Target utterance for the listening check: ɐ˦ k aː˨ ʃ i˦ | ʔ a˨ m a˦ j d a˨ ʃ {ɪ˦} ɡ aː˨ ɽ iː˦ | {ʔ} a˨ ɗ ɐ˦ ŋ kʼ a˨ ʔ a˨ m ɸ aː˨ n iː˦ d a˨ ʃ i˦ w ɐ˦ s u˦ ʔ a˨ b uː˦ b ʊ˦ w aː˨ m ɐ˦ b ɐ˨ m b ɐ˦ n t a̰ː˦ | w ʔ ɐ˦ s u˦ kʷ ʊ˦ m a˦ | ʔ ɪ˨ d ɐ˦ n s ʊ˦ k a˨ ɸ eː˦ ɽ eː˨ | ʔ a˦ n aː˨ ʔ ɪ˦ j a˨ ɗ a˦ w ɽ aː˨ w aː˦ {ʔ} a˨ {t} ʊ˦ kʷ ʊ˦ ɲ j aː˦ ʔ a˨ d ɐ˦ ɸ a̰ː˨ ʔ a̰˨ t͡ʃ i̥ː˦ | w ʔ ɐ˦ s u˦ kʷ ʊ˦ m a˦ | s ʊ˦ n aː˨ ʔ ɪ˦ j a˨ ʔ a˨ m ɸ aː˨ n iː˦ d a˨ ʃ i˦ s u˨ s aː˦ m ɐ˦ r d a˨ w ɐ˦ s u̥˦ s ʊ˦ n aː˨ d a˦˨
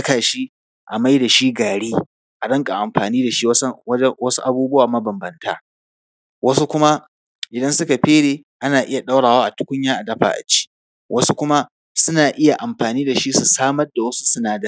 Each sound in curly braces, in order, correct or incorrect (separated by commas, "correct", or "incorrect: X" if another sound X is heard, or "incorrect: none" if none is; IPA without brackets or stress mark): incorrect: i˦, correct, correct, correct